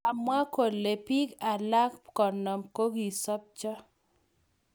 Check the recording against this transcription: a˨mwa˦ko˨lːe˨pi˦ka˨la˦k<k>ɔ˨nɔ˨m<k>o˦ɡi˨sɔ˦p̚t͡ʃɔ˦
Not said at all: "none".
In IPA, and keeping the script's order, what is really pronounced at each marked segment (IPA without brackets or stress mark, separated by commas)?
k, k